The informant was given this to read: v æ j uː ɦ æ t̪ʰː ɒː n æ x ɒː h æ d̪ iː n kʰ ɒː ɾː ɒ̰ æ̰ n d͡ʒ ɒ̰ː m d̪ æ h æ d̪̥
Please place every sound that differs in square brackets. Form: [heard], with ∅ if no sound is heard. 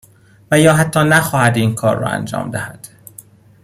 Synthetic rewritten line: v æ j [ɒː] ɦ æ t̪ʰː ɒː n æ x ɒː h æ d̪ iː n kʰ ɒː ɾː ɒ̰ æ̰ n d͡ʒ ɒ̰ː m d̪ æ h æ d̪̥